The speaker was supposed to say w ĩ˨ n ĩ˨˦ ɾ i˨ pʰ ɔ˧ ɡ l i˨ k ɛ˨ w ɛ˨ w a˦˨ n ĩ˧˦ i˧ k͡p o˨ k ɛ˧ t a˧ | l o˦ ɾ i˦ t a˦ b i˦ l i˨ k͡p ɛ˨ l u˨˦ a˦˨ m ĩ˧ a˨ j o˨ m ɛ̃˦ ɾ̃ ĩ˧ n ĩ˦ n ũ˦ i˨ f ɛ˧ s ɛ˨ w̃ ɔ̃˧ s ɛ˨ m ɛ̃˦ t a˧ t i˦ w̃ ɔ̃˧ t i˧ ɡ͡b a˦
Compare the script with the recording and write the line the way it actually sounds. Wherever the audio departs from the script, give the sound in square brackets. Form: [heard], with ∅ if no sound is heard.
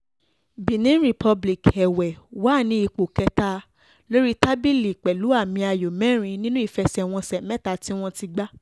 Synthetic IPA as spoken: [b] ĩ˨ n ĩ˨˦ ɾ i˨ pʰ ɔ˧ [b] l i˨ k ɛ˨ w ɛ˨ w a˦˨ n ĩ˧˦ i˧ k͡p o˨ k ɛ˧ t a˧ | l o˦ ɾ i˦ t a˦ b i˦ l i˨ k͡p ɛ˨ l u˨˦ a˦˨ m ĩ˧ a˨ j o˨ m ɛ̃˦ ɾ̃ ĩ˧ n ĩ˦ n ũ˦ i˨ f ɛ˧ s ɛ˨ w̃ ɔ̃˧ s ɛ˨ m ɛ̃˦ t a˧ t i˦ w̃ ɔ̃˧ t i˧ ɡ͡b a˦